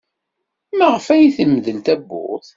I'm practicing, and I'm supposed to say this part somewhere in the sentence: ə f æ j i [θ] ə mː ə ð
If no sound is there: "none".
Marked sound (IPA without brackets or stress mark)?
θ